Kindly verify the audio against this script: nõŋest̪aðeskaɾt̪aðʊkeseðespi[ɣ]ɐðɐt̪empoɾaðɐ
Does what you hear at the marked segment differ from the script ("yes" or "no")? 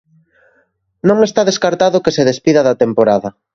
yes